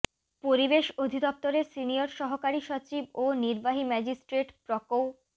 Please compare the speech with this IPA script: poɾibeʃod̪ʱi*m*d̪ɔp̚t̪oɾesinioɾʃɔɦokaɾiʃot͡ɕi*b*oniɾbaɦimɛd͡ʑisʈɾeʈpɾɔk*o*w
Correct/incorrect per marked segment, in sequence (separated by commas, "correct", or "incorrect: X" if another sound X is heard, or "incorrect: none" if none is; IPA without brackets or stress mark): incorrect: none, correct, correct